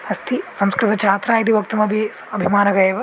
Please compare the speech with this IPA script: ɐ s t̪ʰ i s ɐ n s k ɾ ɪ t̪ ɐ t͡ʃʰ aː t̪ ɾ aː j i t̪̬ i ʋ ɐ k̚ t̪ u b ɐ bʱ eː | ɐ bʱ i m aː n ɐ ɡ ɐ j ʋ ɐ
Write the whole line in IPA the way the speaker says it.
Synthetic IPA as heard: ɐ s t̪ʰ i s ɐ m s k ɾ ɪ t̪ ɐ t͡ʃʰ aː t̪ ɾ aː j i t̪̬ i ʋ ɐ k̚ t̪ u m ɐ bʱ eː | ɐ bʱ i m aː n ɐ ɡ ɐ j ʋ ɐ